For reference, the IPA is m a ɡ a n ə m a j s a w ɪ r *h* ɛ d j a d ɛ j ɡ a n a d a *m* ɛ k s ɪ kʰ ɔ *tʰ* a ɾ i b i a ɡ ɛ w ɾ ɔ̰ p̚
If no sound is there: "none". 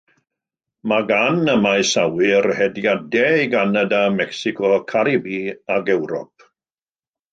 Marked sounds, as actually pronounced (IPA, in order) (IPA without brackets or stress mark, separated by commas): h, m, kʰ